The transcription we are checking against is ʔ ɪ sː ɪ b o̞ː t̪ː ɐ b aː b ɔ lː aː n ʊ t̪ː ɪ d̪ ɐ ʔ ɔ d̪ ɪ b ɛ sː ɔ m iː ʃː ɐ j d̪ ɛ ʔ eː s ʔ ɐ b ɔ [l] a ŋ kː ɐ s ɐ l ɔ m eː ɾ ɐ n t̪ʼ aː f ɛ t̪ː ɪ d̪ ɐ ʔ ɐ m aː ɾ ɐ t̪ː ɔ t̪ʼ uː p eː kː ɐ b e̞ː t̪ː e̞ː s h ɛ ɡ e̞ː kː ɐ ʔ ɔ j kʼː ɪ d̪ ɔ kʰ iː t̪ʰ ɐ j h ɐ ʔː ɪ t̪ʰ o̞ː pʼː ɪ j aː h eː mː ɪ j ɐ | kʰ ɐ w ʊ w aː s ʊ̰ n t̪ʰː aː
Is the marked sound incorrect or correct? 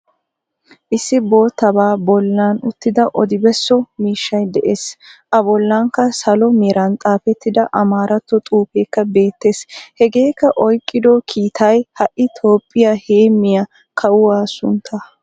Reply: incorrect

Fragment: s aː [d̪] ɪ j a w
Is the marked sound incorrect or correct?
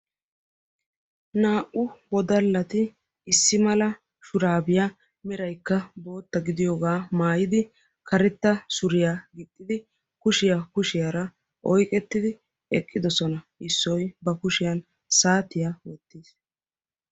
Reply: incorrect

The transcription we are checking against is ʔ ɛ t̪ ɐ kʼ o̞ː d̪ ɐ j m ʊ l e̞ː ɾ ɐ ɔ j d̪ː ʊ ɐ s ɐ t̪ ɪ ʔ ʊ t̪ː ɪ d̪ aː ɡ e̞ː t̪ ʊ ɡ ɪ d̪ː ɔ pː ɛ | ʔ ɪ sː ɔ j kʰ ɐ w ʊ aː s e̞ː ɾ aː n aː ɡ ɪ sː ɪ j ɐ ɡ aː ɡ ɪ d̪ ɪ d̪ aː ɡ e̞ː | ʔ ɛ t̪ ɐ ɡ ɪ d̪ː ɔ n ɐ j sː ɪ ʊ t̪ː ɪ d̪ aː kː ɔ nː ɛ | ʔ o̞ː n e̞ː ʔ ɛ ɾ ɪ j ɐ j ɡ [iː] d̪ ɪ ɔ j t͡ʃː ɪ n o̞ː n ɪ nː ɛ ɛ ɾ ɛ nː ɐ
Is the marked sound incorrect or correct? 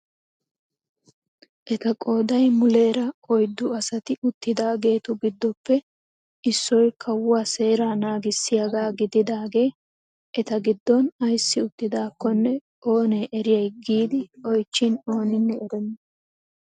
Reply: correct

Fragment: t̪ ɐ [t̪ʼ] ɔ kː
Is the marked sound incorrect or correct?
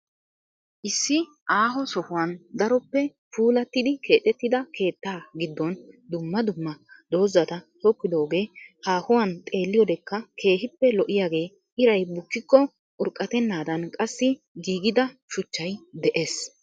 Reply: incorrect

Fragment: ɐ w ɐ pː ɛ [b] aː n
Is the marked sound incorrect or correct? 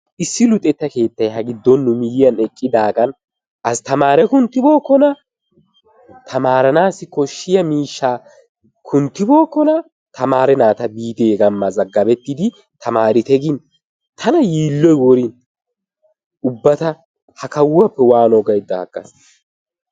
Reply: incorrect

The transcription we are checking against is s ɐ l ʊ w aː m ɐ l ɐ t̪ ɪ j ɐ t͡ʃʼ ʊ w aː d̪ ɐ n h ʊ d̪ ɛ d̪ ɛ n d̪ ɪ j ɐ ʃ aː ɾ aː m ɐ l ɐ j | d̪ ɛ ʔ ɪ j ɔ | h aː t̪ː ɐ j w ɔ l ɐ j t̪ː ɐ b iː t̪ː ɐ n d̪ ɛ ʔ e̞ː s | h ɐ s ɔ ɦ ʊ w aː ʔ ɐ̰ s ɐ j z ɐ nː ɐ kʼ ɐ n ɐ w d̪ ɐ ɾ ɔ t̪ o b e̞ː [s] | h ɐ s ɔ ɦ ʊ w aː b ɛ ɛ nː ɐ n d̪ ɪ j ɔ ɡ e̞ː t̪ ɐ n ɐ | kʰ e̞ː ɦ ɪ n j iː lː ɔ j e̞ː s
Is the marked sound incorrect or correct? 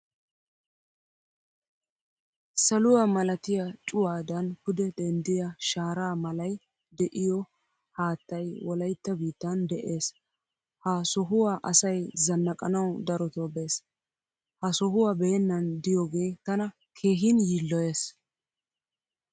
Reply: correct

